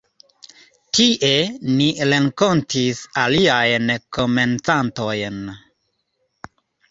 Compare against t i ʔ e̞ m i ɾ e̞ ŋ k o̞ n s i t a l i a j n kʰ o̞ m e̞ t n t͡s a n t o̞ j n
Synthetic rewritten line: t i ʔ e̞ n i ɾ e̞ ŋ k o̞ n t i s a l i a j n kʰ o̞ m e̞ n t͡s a n t o̞ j n